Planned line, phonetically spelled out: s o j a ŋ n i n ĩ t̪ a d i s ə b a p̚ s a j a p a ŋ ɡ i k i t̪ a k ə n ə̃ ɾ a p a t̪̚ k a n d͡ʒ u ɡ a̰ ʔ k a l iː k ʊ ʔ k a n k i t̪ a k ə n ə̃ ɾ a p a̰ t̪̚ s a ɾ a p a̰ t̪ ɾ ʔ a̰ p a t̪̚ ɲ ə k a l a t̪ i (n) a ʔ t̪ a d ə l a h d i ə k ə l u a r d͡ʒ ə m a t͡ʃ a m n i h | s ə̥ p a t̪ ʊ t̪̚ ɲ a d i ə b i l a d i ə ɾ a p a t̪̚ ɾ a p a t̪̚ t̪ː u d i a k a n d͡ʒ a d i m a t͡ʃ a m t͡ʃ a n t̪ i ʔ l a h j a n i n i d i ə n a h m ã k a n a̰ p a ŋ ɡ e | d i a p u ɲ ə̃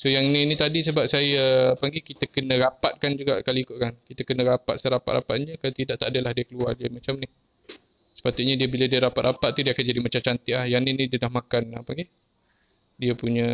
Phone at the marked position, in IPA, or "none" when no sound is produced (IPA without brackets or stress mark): d